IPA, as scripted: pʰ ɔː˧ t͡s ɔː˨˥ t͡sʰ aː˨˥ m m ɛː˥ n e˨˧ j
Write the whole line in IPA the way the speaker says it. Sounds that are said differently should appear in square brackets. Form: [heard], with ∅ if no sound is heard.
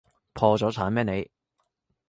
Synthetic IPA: pʰ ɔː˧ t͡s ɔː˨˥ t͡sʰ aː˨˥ [n] m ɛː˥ n e˨˧ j